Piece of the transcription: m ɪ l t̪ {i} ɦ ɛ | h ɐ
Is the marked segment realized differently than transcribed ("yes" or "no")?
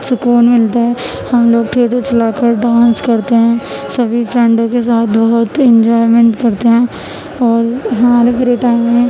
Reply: yes